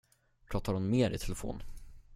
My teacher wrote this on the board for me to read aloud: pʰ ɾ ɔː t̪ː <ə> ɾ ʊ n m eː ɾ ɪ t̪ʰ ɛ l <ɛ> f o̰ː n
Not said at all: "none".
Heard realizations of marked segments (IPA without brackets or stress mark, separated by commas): a, ɛ